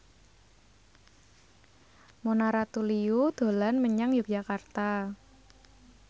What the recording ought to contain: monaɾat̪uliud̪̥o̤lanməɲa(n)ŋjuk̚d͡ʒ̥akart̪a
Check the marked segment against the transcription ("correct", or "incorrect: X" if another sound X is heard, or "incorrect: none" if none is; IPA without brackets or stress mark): incorrect: none